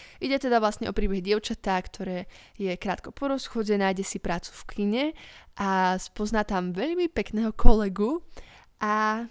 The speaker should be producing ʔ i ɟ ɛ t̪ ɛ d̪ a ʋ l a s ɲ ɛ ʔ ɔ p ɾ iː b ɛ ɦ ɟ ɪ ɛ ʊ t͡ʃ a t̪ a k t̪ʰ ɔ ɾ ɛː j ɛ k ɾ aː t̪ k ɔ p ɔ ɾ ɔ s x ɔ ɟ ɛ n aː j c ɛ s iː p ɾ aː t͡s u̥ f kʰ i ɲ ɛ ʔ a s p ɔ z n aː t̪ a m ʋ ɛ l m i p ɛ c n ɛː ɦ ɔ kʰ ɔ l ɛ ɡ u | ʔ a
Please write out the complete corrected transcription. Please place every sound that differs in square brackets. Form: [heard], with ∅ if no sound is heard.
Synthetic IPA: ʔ i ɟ ɛ t̪ ɛ d̪ a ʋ l a s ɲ ɛ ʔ ɔ p ɾ iː b ɛ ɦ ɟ ɪ ɛ ʊ t͡ʃ a t̪ a k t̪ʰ ɔ ɾ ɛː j ɛ k ɾ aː t̪ k ɔ p ɔ ɾ ɔ s x ɔ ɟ ɛ n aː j [ɟ] ɛ s [i] p ɾ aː t͡s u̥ f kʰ i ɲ ɛ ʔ a s p ɔ z n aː t̪ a m ʋ ɛ [ʎ] m i p ɛ [k] n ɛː ɦ ɔ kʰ ɔ l ɛ ɡ u | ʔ a